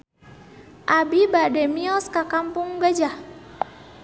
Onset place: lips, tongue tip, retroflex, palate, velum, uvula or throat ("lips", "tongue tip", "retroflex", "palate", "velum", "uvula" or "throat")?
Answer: throat